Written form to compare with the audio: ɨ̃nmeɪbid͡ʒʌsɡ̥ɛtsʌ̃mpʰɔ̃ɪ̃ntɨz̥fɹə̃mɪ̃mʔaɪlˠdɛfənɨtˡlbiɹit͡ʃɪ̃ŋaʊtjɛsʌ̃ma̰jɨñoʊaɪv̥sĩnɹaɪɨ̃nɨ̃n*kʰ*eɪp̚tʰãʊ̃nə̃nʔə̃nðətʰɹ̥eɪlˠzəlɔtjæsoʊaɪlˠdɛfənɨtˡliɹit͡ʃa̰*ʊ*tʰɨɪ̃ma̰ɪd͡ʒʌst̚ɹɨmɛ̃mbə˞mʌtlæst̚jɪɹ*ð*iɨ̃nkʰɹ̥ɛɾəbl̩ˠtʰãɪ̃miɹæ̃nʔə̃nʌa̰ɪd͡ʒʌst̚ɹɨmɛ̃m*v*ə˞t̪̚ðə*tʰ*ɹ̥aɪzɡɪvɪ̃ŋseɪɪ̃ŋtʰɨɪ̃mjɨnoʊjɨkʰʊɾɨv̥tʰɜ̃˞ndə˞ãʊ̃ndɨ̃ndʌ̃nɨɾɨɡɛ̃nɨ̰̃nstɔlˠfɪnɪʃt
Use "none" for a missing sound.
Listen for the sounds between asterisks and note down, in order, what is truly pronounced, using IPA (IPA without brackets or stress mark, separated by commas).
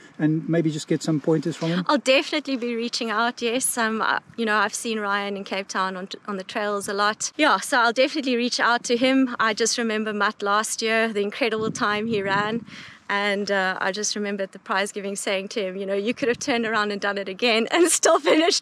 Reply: kʰ, ʊ, ð, b, pʰ